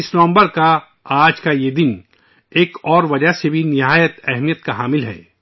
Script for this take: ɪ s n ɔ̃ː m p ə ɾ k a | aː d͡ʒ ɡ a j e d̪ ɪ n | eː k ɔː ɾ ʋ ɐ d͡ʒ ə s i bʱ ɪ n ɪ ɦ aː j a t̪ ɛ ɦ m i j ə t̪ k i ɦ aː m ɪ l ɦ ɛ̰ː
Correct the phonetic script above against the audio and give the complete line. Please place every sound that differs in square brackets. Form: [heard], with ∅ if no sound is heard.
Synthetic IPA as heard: ɪ s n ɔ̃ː m [b] ə ɾ k a | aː d͡ʒ [k] a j e d̪ ɪ n | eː k ɔː ɾ ʋ ɐ d͡ʒ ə s [e] bʱ [i] n ɪ ɦ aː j [ə] t̪ ɛ ɦ m i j ə t̪ k [a] ɦ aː m ɪ l ɦ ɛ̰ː